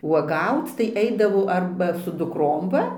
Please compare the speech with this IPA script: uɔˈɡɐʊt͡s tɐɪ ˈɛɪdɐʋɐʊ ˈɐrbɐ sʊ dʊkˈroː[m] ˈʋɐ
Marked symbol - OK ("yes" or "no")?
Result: yes